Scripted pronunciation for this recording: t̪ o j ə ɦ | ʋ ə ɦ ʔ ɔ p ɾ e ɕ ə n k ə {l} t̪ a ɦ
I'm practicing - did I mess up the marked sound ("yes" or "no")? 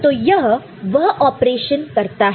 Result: yes